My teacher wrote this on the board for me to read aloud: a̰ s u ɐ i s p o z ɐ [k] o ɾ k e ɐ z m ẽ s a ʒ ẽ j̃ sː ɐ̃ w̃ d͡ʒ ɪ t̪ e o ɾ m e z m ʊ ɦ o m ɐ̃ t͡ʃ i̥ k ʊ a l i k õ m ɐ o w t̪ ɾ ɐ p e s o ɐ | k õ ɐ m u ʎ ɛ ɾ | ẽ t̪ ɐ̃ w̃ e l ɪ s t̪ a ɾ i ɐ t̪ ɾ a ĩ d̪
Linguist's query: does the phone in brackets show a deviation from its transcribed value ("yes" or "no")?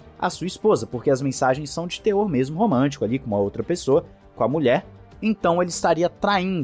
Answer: yes